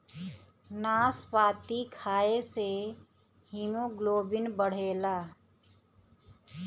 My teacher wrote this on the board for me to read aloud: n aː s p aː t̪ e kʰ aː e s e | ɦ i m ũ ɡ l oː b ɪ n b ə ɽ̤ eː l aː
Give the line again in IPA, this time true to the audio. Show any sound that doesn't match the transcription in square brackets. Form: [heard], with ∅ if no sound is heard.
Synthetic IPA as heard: n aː s p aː t̪ [i] kʰ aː e s e | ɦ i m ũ ɡ l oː b ɪ n b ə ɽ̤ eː l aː